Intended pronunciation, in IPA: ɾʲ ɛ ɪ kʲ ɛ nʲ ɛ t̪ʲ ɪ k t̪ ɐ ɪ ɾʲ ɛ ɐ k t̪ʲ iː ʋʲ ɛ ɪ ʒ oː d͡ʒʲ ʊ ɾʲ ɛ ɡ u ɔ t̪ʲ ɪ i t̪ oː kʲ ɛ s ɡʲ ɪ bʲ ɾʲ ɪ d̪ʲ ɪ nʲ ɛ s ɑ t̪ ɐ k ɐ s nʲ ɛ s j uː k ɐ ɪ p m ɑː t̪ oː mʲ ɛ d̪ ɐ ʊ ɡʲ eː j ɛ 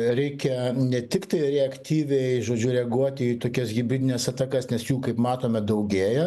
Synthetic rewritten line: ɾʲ ɛ ɪ kʲ ɛ nʲ ɛ t̪ʲ ɪ k t̪ ɐ ɪ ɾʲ ɛ ɐ k t̪ʲ iː ʋʲ ɛ ɪ ʒ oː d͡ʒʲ ʊ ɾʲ ɛ ɡ u ɔ t̪ʲ ɪ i t̪ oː kʲ ɛ s ɡʲ ɪ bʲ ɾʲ ɪ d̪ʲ ɪ nʲ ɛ s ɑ t̪ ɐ k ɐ s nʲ ɛ s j uː k ɐ ɪ p m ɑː t̪ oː mʲ ɛ d̪ ɐ ʊ ɡʲ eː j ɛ